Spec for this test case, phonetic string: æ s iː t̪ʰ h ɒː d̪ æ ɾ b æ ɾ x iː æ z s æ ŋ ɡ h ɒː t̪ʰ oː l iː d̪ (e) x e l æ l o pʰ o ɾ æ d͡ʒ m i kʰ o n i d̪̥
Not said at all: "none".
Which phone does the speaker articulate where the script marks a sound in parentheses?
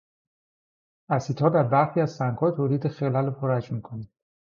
e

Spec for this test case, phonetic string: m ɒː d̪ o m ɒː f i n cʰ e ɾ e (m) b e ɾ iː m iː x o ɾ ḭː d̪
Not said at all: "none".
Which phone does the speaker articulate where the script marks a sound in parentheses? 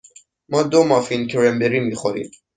m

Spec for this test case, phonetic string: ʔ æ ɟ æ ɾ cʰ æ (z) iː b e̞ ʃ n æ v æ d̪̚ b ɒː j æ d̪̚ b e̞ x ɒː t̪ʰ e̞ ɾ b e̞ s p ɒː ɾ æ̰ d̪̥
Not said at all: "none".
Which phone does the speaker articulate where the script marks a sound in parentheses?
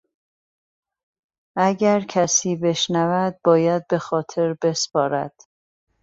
s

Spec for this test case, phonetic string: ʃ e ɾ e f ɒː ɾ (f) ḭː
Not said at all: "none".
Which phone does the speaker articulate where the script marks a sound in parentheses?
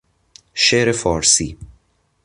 s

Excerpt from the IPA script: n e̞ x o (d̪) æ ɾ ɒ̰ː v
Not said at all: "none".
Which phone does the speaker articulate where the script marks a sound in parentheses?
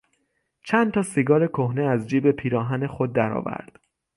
d̪ː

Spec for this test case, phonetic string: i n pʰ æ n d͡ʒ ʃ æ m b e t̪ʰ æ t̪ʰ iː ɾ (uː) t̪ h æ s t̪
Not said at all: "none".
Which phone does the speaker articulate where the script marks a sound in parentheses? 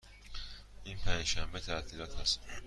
ɒː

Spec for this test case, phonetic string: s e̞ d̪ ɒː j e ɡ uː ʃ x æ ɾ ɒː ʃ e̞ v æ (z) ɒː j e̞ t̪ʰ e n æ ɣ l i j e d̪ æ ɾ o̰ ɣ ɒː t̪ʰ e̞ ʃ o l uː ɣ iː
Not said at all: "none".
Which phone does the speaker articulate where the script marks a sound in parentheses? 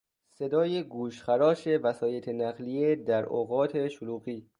s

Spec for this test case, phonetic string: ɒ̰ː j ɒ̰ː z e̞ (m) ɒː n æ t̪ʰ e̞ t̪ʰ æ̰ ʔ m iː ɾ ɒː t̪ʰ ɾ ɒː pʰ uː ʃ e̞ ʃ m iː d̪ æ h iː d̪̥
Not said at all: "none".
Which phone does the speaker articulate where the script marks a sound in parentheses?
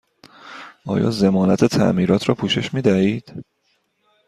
m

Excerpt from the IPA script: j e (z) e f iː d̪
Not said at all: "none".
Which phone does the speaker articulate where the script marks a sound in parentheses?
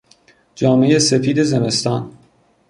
s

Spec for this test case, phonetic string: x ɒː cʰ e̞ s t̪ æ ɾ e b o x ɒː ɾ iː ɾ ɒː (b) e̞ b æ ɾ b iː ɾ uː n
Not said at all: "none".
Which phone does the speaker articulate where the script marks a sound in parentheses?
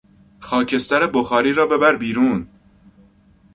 b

